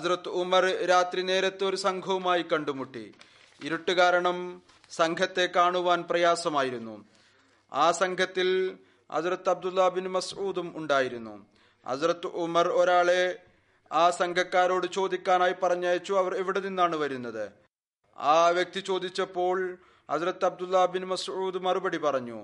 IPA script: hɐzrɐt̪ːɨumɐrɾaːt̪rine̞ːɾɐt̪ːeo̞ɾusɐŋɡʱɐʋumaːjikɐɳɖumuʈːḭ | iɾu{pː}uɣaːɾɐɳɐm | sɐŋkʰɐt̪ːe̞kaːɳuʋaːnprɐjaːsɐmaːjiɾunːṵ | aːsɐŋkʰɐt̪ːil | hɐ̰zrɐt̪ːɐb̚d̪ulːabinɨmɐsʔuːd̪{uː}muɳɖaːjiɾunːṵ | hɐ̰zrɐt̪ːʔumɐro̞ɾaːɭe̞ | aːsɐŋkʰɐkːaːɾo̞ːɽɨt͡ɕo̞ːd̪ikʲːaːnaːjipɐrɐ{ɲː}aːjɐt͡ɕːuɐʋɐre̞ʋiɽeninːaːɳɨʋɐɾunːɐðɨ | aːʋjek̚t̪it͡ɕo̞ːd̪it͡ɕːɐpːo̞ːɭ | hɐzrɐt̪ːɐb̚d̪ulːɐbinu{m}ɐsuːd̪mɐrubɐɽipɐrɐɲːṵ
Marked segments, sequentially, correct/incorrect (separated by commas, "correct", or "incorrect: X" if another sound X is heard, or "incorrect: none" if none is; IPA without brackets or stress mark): incorrect: ʈː, incorrect: u, correct, correct